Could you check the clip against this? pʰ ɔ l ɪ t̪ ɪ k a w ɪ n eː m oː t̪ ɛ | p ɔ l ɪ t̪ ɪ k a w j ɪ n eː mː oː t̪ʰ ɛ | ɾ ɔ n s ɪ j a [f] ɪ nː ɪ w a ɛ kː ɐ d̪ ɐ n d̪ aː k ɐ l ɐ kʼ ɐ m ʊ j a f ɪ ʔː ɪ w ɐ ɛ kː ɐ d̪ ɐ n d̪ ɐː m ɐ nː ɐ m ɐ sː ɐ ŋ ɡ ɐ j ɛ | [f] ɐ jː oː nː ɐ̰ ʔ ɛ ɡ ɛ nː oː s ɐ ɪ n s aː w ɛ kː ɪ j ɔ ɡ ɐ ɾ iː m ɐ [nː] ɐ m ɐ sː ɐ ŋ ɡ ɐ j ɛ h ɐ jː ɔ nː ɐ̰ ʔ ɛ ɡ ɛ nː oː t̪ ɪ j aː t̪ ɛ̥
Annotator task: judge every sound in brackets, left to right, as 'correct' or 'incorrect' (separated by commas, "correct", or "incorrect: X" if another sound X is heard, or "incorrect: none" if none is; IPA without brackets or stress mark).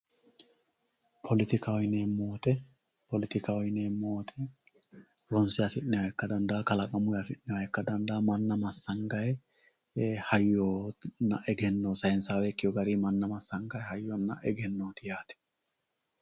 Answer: correct, incorrect: h, correct